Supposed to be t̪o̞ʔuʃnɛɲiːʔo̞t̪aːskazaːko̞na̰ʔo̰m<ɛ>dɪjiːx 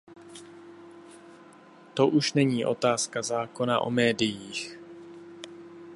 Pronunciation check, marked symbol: incorrect: ɛː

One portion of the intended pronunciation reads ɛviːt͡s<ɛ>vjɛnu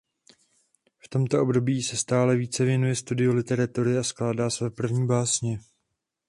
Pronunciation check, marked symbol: correct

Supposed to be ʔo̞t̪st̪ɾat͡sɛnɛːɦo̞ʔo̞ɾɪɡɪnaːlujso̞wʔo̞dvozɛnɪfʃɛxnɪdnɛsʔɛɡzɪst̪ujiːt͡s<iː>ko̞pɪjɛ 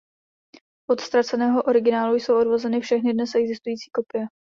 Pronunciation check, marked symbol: correct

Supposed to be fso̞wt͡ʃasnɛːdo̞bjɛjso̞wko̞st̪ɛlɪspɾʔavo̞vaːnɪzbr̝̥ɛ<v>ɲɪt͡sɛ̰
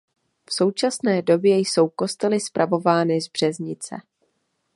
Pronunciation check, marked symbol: incorrect: z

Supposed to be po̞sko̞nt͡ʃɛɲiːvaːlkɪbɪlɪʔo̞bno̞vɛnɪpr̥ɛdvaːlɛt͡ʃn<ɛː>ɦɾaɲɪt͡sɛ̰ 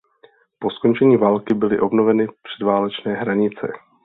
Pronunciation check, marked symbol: correct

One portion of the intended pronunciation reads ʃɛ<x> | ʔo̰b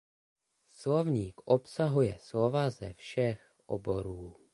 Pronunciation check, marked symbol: correct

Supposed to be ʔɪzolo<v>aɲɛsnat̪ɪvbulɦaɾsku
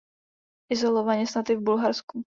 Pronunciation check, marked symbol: correct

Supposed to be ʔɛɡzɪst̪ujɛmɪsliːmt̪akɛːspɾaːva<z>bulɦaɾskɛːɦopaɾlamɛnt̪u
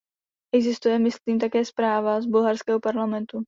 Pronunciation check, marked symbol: correct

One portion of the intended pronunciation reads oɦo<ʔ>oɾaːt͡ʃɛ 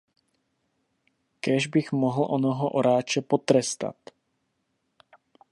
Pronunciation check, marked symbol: correct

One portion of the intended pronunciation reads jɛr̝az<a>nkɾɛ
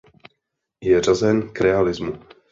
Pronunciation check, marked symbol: incorrect: ɛ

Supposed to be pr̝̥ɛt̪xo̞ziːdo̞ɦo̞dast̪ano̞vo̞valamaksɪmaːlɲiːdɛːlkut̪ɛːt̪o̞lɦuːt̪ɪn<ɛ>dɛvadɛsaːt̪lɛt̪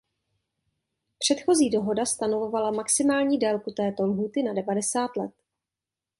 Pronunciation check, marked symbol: incorrect: a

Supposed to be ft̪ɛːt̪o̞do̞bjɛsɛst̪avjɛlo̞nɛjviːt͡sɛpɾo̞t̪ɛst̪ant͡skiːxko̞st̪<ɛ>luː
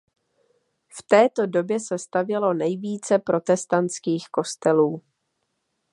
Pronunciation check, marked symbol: correct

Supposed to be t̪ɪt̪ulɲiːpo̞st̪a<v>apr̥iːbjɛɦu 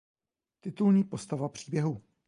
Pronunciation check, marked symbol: correct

